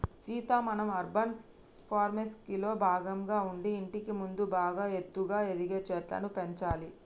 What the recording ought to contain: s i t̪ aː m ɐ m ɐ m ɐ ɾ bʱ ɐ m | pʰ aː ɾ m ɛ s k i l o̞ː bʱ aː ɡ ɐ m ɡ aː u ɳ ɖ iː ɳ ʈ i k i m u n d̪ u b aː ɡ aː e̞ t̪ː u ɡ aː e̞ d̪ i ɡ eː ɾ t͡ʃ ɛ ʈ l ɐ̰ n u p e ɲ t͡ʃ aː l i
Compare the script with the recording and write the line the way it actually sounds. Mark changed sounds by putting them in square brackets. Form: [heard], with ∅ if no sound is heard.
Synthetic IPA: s [iː] t̪ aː m ɐ [n] ɐ m ɐ ɾ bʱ ɐ [n] | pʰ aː ɾ m [e] s k i l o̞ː bʱ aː ɡ ɐ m ɡ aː u ɳ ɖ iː ɳ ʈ i k i m u n d̪ u b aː ɡ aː e̞ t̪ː u ɡ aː e̞ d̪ i ɡ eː [∅] t͡ʃ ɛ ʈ l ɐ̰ n u p e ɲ t͡ʃ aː l i